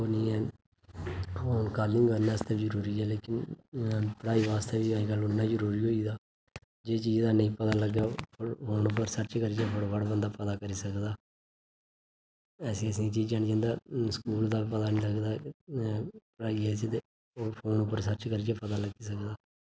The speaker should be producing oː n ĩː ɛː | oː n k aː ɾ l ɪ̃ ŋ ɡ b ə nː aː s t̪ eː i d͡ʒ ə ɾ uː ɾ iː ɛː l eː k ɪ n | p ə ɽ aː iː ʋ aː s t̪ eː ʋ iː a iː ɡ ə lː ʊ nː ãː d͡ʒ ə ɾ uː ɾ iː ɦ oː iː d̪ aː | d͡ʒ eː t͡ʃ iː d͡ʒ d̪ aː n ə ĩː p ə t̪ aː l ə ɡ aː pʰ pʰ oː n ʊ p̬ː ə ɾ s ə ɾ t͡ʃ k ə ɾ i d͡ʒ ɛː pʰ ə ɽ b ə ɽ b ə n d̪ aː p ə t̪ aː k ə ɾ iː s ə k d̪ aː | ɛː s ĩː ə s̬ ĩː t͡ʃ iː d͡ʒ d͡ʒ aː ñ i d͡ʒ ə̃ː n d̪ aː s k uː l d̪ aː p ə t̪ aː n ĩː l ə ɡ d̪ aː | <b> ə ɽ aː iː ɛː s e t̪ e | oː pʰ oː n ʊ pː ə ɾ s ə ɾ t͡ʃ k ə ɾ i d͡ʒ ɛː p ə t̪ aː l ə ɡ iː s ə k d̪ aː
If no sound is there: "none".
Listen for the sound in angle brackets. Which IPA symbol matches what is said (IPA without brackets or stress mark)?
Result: p